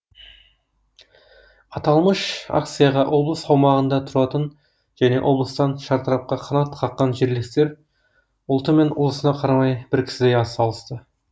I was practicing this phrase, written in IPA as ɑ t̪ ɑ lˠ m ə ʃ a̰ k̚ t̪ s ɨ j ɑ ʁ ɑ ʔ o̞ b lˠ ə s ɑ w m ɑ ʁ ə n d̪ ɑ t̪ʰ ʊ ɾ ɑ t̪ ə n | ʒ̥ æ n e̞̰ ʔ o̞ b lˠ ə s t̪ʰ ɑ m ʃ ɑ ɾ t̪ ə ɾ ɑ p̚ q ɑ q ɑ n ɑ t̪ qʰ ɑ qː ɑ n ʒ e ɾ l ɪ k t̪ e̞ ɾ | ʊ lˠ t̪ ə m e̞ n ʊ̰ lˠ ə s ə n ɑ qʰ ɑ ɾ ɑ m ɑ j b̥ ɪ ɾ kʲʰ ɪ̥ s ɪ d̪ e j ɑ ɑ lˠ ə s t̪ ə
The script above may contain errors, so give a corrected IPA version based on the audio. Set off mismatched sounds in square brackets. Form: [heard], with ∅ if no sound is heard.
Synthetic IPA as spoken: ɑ t̪ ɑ lˠ m ə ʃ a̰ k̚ t̪ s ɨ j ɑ ʁ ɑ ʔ o̞ b lˠ ə s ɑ w m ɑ ʁ ə n d̪ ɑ t̪ʰ ʊ ɾ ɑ t̪ ə n | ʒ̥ æ n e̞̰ ʔ o̞ b lˠ ə s [t̪] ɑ [n] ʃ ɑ ɾ t̪ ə ɾ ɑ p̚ q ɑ [qʰ] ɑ n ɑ t̪ qʰ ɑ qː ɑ n ʒ e ɾ l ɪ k t̪ e̞ ɾ | ʊ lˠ t̪ ə m e̞ n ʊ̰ lˠ ə s ə n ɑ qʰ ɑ ɾ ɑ m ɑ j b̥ ɪ ɾ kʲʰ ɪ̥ s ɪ d̪ e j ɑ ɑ lˠ ə s t̪ ə